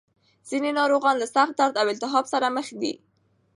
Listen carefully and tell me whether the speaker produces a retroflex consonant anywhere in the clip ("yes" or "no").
no